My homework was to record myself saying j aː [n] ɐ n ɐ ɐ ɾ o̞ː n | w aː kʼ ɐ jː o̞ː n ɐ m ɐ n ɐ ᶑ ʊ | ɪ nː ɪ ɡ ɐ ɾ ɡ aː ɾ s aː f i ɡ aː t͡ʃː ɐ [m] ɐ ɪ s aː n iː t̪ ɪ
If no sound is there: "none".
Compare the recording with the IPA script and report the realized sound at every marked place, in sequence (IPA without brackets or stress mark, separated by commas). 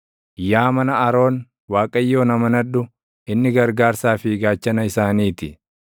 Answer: m, n